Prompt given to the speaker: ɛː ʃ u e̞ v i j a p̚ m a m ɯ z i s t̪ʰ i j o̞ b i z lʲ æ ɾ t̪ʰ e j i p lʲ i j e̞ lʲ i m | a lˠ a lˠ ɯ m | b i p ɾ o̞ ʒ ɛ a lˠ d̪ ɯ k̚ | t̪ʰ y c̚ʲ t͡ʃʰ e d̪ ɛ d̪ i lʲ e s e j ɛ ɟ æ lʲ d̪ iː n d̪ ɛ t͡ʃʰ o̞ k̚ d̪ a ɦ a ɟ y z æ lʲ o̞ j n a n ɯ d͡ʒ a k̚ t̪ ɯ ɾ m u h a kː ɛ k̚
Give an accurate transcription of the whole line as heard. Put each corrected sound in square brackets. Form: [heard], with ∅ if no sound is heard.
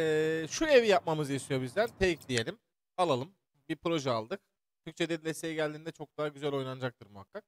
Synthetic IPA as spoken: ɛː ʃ u e̞ v i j a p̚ m a m ɯ z i s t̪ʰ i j o̞ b i z lʲ æ ɾ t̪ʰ e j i [c] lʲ i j e̞ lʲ i m | a lˠ a lˠ ɯ m | b i p ɾ o̞ ʒ ɛ a lˠ d̪ ɯ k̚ | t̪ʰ y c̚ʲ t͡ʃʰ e d̪ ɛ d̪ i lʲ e s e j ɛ ɟ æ lʲ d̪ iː n d̪ ɛ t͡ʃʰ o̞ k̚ d̪ a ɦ a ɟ y z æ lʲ o̞ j n a n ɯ d͡ʒ a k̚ t̪ ɯ ɾ m u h a kː [a] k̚